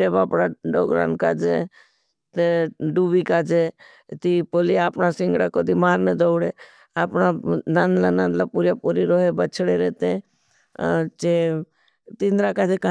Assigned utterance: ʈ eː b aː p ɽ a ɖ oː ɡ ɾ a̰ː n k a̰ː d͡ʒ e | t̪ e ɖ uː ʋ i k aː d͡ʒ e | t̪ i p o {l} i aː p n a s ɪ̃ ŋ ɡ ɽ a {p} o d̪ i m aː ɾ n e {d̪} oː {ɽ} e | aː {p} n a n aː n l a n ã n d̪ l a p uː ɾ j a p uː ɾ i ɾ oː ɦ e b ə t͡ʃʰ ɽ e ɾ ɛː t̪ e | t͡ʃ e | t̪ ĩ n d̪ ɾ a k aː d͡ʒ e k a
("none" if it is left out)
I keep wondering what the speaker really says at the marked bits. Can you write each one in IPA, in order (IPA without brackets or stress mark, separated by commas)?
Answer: l, k, d̪, ɽ, p